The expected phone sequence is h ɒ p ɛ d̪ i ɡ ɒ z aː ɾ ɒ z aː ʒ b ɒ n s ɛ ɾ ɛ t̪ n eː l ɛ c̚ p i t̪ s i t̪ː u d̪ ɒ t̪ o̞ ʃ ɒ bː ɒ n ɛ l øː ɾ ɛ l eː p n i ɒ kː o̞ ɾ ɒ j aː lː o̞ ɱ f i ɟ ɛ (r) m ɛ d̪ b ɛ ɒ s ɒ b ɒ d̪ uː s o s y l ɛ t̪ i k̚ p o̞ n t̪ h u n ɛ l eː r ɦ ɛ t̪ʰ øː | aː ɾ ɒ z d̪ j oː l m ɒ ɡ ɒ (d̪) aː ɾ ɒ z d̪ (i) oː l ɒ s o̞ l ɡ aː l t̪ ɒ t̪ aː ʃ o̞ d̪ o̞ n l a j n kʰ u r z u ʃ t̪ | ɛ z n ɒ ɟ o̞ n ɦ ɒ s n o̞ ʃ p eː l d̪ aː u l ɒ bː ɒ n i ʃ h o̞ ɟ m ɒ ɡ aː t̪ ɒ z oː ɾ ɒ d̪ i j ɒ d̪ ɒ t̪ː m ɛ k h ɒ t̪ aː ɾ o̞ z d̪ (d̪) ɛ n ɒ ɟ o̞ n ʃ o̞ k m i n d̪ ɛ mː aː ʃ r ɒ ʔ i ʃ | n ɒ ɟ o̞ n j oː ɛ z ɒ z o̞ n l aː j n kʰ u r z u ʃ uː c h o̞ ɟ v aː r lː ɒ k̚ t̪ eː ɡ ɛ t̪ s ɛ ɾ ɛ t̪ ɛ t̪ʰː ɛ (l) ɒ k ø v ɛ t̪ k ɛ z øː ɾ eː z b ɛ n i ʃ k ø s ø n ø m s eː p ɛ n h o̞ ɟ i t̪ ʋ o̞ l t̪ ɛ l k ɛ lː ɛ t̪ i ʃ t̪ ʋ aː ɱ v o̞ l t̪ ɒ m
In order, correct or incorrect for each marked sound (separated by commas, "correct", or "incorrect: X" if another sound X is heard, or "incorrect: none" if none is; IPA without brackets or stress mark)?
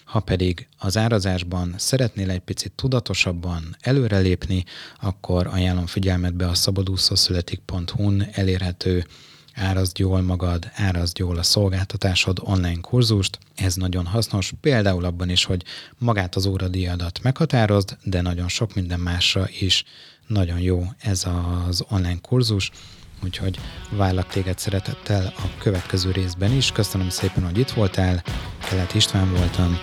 incorrect: l, correct, incorrect: j, correct, correct